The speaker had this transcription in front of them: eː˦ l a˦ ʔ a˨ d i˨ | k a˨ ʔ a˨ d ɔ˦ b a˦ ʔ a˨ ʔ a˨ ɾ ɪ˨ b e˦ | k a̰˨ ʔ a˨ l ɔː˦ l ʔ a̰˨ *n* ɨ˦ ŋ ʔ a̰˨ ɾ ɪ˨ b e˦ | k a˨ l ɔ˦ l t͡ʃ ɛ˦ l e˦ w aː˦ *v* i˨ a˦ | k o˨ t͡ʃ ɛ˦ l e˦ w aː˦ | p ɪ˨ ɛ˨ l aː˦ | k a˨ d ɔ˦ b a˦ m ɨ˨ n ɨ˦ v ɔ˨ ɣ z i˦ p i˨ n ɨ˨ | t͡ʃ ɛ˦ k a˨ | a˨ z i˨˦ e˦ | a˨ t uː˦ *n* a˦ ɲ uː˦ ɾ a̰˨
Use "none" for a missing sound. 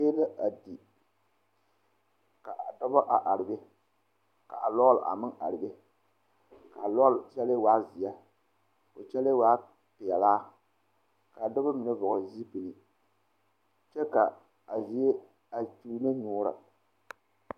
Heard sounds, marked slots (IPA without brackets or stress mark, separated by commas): m, z, n